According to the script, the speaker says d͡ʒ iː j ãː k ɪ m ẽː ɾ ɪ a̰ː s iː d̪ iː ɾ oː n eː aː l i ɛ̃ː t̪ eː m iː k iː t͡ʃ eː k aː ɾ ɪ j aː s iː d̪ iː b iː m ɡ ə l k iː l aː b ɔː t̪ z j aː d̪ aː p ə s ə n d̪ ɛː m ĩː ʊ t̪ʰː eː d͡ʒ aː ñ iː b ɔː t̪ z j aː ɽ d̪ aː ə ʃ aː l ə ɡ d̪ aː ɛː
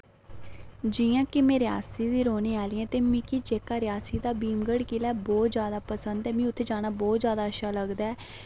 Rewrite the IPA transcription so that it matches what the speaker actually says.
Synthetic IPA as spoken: d͡ʒ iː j ãː k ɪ m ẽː ɾ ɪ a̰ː s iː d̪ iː ɾ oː n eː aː l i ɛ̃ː t̪ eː m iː k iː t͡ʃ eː k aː ɾ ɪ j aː s iː d̪ aː b iː m ɡ ə ɽ k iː l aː b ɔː t̪ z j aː d̪ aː p ə s ə n d̪ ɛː m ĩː ʊ t̪ʰː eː d͡ʒ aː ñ aː b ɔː t̪ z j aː d̪ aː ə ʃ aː l ə ɡ d̪ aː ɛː